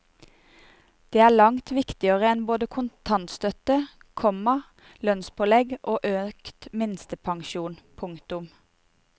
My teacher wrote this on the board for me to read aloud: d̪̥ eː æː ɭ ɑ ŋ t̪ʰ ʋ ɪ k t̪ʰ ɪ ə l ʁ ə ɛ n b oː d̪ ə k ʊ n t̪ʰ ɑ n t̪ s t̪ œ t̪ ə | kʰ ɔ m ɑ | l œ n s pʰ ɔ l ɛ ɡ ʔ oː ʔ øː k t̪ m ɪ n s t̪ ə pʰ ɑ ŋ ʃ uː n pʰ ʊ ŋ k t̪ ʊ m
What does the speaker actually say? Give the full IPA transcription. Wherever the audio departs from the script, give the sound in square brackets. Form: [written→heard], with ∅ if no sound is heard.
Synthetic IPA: d̪̥ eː æː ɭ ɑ ŋ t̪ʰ ʋ ɪ k [t̪ʰ→t̪] ɪ ə [l→∅] ʁ ə ɛ n b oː d̪ ə [k→kʰ] ʊ n t̪ʰ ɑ n t̪ s t̪ œ t̪ ə | kʰ ɔ m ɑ | l œ n s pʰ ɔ l ɛ ɡ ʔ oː ʔ øː k t̪ m ɪ n s t̪ ə pʰ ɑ ŋ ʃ uː n pʰ ʊ ŋ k t̪ ʊ m